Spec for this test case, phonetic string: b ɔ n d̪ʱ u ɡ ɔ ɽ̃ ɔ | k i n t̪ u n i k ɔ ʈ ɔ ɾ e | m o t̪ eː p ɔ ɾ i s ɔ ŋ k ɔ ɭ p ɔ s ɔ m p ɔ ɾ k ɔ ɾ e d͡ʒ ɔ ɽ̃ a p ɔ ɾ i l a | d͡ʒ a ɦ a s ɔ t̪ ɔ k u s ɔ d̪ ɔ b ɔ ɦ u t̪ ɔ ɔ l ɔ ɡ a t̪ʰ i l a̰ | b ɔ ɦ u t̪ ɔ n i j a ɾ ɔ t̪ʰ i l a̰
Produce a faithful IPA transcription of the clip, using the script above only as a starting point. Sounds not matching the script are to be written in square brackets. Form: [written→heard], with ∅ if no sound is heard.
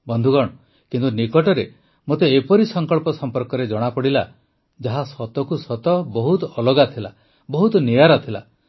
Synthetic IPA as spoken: b ɔ n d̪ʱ u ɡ ɔ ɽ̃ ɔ | k i n t̪ u n i k ɔ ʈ ɔ ɾ e | m o t̪ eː p ɔ ɾ i s ɔ ŋ k ɔ ɭ p ɔ s ɔ m p ɔ ɾ k ɔ ɾ e d͡ʒ ɔ ɽ̃ a p ɔ [ɾ→ɽ] i l a | d͡ʒ a ɦ a s ɔ t̪ ɔ k u s ɔ [d̪→t̪] ɔ b ɔ ɦ u t̪ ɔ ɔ l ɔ ɡ a t̪ʰ i l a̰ | b ɔ ɦ u t̪ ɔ n i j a ɾ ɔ t̪ʰ i l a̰